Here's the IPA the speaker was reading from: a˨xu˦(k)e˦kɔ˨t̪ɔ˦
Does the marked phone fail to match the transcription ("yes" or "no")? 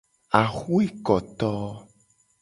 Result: yes